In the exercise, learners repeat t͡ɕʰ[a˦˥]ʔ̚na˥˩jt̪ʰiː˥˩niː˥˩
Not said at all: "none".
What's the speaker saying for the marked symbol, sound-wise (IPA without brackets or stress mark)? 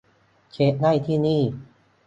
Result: e˦˥